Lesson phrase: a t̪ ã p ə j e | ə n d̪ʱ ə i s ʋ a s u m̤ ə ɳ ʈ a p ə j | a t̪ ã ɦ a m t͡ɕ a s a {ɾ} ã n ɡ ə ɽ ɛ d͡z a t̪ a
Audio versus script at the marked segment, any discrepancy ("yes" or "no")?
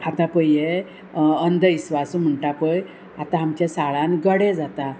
yes